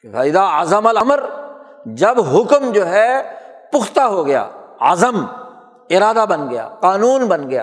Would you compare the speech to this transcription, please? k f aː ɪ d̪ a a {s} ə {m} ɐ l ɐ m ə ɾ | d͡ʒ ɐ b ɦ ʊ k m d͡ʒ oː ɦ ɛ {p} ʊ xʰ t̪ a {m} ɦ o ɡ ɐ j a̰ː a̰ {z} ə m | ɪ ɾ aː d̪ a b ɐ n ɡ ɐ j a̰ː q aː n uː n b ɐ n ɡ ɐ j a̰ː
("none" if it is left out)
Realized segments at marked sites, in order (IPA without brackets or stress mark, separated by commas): z, m, p, none, z